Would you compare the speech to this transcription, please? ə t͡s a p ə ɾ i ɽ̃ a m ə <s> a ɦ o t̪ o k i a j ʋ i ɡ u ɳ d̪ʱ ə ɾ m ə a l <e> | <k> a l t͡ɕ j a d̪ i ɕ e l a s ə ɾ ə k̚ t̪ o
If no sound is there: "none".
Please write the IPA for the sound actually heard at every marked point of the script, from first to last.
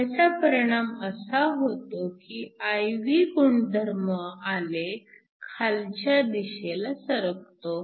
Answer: s, e, kʰ

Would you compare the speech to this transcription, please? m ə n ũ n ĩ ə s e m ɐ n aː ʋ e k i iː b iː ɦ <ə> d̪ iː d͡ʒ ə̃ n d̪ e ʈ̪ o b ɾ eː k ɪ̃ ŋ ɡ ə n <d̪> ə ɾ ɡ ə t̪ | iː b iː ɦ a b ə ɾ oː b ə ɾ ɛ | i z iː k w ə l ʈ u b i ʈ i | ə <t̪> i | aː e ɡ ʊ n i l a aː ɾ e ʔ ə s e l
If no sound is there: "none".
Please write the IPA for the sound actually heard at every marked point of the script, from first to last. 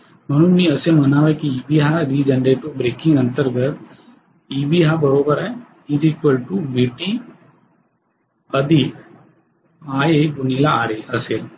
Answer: a, t̪, d̪

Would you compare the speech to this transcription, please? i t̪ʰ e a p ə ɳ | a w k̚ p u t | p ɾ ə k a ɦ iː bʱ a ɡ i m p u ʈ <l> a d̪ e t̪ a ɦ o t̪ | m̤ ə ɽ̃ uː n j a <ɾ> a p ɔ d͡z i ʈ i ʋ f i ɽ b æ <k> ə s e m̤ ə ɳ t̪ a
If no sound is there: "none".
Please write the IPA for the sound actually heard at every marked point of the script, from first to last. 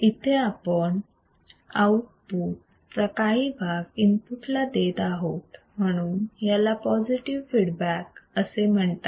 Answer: l, l, k

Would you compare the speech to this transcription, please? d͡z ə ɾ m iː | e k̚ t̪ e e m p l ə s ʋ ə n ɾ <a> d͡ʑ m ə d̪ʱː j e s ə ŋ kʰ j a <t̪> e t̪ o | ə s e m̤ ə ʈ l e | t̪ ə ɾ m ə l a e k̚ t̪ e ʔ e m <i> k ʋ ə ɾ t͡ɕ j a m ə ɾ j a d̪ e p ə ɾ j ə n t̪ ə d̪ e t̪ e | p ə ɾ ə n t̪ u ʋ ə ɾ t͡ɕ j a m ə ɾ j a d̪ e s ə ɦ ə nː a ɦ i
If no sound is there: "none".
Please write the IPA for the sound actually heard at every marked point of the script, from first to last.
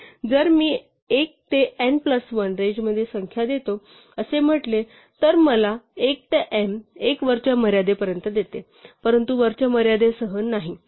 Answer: e, d̪, e

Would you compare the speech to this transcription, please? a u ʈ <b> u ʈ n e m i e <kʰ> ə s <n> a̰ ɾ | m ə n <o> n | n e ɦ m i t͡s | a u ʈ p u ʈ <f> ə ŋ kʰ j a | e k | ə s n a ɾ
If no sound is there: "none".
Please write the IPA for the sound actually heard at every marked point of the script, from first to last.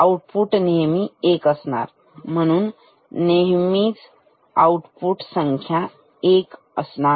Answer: p, k, n, u, s

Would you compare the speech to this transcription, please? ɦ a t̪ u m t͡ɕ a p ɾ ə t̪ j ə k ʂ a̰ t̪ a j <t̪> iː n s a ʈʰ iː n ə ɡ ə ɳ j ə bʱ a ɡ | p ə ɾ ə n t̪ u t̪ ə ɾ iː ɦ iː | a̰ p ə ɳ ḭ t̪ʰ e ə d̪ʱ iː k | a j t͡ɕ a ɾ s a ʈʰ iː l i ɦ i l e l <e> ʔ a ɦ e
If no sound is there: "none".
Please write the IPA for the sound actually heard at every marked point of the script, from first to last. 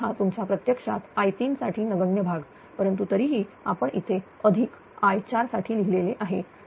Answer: t̪, e

